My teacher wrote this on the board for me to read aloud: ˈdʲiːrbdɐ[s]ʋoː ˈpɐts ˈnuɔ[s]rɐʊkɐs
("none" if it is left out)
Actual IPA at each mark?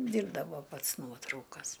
none, t

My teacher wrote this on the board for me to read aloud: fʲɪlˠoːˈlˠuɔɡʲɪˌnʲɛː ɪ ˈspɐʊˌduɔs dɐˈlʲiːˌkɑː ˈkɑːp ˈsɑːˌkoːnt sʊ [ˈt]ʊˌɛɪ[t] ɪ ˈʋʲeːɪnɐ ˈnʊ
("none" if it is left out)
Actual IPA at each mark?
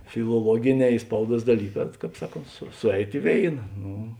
s, t

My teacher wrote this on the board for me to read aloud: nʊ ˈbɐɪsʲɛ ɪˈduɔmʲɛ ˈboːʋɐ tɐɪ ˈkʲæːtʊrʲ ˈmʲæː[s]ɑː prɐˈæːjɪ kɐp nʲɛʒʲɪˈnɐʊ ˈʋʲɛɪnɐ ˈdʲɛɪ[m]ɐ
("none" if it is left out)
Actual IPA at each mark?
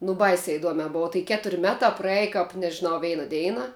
t, n

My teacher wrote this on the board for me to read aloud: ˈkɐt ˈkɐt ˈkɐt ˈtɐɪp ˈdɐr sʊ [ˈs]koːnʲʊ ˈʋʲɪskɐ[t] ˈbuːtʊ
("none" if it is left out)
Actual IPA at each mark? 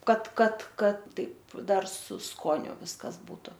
s, s

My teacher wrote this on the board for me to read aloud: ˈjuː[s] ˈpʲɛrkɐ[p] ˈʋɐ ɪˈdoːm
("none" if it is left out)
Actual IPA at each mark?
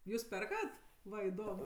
s, t

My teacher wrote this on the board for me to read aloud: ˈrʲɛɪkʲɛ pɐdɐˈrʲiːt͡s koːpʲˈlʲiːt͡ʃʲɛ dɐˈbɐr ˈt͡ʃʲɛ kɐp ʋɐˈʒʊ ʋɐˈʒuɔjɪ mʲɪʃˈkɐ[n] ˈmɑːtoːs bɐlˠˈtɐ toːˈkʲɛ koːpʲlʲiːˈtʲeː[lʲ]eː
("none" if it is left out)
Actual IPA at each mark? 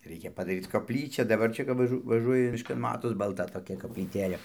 n, lʲ

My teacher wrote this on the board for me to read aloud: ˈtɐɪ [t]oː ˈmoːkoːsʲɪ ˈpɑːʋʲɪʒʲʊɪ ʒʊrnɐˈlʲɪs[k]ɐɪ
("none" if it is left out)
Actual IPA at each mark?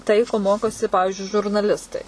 k, t

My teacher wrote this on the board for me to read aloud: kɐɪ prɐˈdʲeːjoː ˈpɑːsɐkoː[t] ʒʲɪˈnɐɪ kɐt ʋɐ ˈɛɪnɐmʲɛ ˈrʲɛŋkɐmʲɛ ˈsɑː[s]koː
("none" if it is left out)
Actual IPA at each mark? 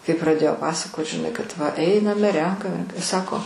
t, none

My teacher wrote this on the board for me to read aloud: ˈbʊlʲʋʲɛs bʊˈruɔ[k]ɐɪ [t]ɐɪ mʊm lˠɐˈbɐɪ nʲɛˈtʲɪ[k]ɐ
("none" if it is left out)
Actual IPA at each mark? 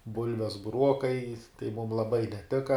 k, t, k

